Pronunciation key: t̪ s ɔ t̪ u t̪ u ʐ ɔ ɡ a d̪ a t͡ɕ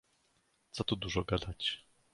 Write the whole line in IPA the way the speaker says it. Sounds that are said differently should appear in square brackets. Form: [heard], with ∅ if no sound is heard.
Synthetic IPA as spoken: t̪ s ɔ t̪ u [d̪] u ʐ ɔ ɡ a d̪ a t͡ɕ